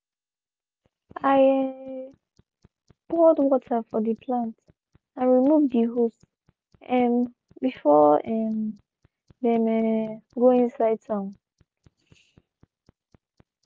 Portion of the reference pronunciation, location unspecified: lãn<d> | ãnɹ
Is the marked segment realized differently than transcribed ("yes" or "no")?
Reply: yes